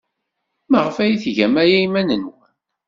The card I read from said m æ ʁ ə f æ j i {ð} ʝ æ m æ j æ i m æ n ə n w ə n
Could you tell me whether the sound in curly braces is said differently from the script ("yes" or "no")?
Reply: yes